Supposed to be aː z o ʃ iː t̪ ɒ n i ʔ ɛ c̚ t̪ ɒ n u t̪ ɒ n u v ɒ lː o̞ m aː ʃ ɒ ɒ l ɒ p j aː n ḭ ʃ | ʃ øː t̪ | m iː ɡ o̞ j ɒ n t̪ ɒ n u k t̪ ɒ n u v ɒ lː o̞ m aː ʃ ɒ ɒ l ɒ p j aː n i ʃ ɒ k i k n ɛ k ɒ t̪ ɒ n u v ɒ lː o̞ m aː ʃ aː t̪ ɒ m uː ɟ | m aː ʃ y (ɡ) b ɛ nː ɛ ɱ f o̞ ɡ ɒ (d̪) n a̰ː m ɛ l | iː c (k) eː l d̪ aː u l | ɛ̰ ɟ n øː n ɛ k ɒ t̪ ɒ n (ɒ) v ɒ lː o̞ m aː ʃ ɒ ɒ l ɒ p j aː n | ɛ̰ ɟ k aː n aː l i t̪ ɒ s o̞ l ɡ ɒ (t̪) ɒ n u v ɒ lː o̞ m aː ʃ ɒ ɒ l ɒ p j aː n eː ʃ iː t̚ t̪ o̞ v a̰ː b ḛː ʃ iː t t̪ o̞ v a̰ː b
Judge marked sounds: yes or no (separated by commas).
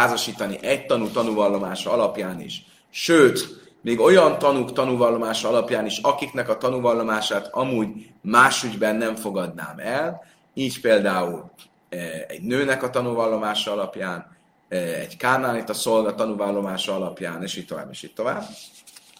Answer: no, yes, no, no, yes